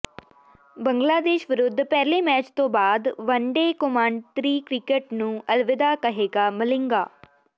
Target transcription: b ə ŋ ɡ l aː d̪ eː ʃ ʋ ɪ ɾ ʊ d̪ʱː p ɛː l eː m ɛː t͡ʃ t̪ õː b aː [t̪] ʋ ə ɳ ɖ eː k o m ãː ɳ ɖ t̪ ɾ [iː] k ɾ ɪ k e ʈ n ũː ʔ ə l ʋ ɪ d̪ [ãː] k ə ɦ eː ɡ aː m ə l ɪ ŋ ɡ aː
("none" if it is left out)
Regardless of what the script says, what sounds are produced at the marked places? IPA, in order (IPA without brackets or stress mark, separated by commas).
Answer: d̪, iː, aː